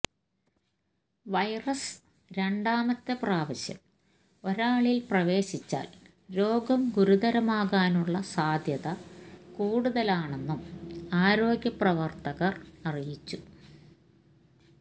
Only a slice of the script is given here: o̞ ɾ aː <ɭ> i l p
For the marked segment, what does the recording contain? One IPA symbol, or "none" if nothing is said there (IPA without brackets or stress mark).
ɭ